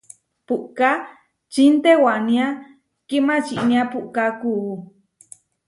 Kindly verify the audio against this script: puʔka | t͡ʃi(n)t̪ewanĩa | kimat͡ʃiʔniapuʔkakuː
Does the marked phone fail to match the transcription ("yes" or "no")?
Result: no